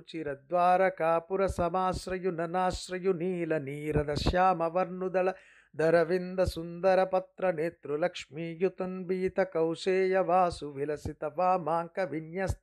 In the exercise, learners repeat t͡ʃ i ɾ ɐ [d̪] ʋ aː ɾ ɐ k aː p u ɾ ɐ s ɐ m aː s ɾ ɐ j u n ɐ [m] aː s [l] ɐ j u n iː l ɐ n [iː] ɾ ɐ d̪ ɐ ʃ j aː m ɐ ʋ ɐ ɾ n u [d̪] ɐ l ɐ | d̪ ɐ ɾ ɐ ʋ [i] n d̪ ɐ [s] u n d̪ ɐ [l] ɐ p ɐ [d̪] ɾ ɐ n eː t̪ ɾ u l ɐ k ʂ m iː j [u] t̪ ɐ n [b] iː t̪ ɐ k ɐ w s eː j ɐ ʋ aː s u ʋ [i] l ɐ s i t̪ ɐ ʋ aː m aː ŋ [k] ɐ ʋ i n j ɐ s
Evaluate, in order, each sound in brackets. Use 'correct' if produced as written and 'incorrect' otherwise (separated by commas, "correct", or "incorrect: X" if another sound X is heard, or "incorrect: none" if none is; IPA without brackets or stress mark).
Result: correct, incorrect: n, incorrect: ɾ, correct, correct, correct, correct, incorrect: ɾ, incorrect: t̪, correct, correct, correct, correct